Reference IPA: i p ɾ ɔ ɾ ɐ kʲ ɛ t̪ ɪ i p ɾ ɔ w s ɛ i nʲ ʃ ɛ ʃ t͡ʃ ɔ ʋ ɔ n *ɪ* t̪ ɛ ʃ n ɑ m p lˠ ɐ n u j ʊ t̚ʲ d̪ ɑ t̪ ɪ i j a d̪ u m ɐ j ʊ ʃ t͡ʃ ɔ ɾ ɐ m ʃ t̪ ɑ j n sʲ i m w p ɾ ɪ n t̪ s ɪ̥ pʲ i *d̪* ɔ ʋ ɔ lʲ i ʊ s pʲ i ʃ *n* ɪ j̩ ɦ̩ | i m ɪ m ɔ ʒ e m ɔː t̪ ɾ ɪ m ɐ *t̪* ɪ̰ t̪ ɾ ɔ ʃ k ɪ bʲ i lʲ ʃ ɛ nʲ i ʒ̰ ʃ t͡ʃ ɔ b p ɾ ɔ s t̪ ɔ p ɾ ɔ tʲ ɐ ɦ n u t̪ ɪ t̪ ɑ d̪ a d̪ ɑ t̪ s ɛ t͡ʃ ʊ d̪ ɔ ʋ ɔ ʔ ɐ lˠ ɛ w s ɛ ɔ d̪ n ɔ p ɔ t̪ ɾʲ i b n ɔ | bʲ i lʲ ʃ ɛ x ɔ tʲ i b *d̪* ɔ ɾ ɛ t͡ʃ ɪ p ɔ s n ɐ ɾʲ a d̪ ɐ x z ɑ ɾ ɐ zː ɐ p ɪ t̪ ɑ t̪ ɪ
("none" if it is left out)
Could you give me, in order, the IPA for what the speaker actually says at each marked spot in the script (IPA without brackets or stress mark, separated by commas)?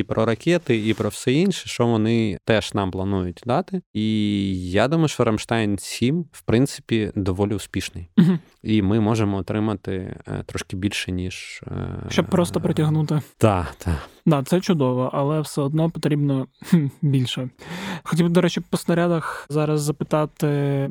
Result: ɪ, d̪, n, t̪, d̪